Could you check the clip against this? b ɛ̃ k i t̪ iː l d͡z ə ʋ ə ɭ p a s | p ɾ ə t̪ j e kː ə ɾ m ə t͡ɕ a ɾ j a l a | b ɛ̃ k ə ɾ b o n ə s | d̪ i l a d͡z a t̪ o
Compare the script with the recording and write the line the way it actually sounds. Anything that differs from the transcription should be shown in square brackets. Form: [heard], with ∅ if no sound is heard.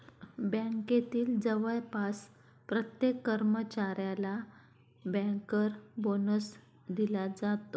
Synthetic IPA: b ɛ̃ k [e] t̪ iː l d͡z ə ʋ ə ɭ p a s | p ɾ ə t̪ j e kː ə ɾ m ə t͡ɕ a ɾ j a l a | b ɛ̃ k ə ɾ b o n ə s | d̪ i l a d͡z a t̪ o